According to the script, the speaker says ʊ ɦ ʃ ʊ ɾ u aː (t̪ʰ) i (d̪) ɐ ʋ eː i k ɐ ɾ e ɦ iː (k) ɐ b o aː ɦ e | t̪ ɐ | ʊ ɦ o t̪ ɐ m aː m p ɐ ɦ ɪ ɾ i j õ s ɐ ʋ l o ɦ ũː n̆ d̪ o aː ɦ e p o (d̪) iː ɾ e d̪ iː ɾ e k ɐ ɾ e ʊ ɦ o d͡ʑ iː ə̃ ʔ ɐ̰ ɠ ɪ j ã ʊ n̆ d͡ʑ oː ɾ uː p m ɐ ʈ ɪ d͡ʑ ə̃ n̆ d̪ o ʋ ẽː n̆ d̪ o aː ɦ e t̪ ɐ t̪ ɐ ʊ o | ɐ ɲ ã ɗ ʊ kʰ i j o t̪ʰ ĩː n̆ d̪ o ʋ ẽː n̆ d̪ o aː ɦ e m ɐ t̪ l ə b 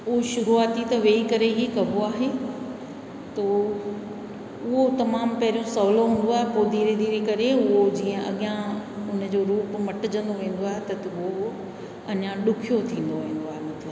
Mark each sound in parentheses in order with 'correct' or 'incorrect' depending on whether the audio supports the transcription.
incorrect: t̪, incorrect: t̪, correct, correct

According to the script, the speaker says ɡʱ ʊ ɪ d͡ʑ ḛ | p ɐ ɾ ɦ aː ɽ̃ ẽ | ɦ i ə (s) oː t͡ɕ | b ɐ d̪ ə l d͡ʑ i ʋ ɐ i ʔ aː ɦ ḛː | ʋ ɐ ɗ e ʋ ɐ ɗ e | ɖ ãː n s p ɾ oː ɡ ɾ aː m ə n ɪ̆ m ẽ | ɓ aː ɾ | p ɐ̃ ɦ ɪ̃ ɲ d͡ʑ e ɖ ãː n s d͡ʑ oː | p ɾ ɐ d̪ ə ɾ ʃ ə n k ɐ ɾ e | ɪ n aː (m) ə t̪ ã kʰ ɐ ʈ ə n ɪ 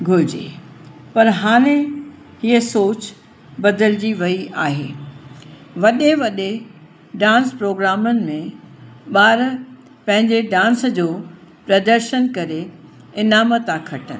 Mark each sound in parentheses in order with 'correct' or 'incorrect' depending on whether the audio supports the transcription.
correct, correct

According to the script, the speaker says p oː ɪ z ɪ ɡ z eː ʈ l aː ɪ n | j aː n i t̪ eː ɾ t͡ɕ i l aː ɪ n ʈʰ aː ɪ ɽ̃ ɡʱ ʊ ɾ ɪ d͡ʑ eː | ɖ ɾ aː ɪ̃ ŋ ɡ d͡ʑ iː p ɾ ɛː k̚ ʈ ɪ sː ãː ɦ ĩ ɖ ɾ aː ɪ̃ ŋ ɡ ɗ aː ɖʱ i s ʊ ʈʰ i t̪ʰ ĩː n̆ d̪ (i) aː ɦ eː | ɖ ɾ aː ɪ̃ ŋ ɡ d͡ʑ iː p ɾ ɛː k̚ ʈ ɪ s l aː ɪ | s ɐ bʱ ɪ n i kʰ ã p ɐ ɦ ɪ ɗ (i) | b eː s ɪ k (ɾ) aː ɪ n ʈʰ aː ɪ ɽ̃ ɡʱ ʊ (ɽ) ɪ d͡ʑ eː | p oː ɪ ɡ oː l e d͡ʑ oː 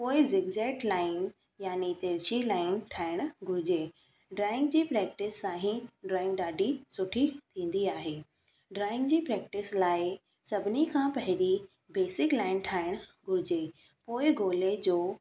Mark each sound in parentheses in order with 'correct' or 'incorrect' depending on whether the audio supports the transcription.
correct, correct, incorrect: l, incorrect: ɾ

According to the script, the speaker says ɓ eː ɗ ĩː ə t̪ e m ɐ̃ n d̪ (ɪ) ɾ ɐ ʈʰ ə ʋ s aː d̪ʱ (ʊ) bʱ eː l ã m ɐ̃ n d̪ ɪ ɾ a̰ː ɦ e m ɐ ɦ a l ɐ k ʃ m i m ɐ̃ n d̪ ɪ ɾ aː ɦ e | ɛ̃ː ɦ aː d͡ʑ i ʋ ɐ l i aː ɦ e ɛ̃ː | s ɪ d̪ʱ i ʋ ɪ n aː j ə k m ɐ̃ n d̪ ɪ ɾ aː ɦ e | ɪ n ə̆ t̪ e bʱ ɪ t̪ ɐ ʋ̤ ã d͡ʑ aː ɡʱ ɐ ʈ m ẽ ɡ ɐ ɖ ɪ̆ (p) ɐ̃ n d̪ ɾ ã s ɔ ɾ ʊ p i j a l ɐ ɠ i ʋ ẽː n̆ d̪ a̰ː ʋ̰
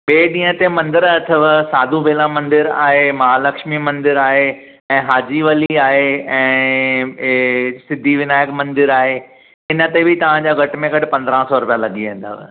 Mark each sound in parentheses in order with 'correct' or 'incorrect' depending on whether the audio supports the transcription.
correct, incorrect: u, correct

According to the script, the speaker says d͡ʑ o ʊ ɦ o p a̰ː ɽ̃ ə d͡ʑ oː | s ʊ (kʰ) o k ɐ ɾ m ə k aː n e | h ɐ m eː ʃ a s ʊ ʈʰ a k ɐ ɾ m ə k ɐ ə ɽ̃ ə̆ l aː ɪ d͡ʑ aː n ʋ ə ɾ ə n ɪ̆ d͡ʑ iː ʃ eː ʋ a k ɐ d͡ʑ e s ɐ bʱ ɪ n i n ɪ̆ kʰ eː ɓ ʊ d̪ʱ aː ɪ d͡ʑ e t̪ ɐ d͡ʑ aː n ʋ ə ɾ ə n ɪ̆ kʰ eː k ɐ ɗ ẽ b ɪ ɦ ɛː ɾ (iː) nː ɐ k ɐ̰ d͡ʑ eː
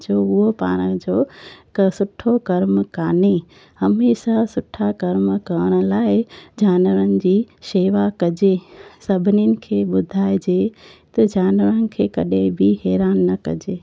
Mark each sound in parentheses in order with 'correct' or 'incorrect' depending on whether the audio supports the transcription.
incorrect: ʈʰ, incorrect: aː

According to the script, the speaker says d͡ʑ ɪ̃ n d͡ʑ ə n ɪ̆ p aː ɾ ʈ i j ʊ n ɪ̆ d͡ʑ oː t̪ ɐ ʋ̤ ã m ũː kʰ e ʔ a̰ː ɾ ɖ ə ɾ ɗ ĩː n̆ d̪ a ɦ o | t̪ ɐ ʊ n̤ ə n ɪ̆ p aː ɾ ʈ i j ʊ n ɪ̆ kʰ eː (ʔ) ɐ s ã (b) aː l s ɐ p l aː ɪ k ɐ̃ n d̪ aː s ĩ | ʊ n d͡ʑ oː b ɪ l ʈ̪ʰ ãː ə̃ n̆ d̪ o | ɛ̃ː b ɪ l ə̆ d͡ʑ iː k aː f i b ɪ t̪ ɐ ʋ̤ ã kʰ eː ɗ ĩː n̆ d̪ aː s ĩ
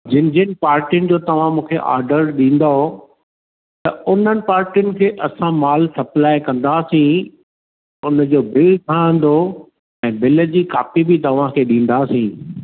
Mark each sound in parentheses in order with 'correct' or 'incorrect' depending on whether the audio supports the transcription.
correct, incorrect: m

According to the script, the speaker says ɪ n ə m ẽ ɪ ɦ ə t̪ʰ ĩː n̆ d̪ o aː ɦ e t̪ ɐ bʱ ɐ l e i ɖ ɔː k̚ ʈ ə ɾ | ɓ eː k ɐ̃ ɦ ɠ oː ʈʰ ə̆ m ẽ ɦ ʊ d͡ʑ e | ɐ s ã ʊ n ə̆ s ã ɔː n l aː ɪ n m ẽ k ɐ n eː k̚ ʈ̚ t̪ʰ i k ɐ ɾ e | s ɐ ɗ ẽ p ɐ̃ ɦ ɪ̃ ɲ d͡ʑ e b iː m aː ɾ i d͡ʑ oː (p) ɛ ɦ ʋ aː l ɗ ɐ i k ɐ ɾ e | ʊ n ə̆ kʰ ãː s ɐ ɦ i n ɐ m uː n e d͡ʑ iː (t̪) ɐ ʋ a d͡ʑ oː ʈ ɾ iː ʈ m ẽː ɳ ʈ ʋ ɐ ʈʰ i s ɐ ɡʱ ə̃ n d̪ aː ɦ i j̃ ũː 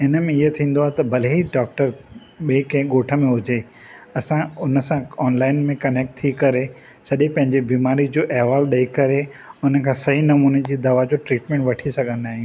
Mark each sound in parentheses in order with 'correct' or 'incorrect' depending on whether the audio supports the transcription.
incorrect: ʔ, incorrect: d̪

